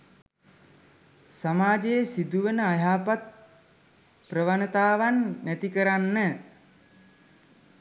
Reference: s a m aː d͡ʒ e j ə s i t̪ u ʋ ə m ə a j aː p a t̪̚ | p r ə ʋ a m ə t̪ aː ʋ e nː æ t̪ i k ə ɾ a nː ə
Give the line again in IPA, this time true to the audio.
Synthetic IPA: s a m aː d͡ʒ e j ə s i d̪ u ʋ ə n ə a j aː p a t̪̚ | p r ə ʋ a n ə t̪ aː ʋ a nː æ t̪ i k ə ɾ a nː ə